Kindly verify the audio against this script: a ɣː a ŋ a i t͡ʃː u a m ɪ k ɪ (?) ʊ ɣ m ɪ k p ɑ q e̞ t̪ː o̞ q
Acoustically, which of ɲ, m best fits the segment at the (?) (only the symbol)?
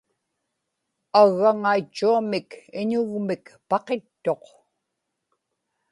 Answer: ɲ